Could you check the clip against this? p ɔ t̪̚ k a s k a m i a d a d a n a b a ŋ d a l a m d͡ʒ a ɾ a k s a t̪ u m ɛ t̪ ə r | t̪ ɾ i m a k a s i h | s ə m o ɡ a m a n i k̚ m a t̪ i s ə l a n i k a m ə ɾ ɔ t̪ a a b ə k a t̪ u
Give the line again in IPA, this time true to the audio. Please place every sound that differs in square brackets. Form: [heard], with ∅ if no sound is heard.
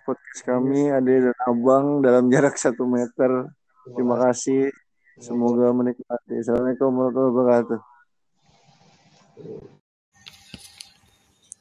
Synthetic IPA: p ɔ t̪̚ k a s k a m i a d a d a n a b a ŋ d a l a m d͡ʒ a ɾ a k s a t̪ u m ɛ t̪ ə r | t̪ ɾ i m a k a s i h | s ə m o ɡ a m [ə] n i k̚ m a t̪ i s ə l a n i k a m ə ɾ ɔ t̪ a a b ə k a t̪ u